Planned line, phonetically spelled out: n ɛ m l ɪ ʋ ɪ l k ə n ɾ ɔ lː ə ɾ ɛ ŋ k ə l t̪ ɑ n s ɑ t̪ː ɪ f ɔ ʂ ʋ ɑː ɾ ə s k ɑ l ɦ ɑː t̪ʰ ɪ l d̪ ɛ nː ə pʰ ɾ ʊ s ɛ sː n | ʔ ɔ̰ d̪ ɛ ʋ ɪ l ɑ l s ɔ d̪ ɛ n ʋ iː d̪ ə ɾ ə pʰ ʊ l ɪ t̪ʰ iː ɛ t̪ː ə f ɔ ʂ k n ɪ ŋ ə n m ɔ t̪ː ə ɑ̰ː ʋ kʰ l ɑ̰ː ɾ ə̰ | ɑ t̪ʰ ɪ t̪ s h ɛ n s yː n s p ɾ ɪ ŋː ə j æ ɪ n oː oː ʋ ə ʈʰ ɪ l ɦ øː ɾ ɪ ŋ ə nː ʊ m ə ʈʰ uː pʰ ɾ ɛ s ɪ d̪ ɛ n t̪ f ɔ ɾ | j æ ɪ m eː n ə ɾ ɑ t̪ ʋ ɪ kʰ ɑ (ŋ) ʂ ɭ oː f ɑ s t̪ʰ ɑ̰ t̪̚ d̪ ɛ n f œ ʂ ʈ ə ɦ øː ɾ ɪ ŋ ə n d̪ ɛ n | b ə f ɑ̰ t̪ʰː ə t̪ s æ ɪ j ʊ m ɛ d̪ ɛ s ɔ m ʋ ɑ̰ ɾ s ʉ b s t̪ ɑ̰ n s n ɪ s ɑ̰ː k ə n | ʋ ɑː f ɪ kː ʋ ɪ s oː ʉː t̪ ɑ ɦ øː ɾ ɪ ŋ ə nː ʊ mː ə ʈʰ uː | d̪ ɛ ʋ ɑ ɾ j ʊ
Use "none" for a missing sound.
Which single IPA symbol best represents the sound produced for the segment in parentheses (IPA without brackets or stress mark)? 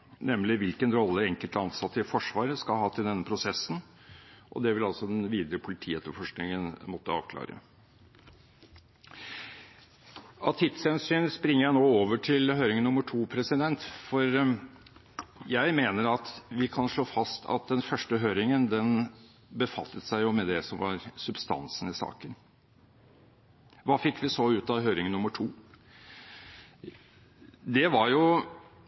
n